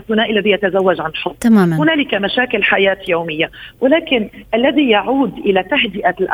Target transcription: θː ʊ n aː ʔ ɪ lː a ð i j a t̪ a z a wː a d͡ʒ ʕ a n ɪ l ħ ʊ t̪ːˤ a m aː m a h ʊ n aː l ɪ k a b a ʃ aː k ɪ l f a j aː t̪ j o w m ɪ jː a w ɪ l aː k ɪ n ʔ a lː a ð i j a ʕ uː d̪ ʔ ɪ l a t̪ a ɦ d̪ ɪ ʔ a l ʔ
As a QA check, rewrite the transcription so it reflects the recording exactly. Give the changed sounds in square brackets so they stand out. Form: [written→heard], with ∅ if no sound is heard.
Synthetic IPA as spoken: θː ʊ n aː ʔ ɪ lː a ð i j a t̪ a z a wː a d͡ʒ ʕ a n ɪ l ħ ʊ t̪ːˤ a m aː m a h ʊ n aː l ɪ k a [b→m] a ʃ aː k ɪ l [f→ħ] a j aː t̪ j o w m ɪ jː a w ɪ l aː k ɪ n ʔ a lː a ð i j a ʕ uː d̪ ʔ ɪ l a t̪ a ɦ d̪ ɪ ʔ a l ʔ